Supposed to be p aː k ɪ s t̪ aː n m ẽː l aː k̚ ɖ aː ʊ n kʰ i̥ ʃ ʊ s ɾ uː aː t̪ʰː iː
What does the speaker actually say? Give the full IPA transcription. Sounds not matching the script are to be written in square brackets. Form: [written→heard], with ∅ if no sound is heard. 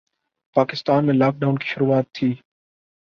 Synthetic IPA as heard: p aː k ɪ s t̪ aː n m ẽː l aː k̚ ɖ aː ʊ n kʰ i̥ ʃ ʊ [s→∅] ɾ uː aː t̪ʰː iː